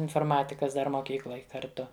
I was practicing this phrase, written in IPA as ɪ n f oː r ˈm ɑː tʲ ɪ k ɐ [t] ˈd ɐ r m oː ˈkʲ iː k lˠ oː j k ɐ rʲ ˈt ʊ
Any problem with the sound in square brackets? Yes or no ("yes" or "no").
yes